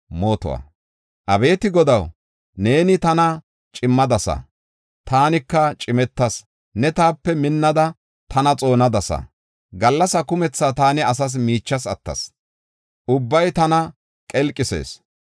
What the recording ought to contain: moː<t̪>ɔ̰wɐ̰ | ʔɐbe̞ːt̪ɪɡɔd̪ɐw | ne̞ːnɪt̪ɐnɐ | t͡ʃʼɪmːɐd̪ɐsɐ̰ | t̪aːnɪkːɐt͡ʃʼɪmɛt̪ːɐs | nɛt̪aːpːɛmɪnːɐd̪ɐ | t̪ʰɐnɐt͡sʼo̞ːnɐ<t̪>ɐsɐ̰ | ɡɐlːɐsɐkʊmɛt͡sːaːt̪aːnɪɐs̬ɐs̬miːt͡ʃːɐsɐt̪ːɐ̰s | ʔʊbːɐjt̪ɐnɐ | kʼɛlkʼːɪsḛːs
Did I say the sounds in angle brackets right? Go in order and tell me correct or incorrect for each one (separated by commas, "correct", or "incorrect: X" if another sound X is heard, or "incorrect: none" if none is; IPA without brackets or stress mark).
correct, incorrect: d̪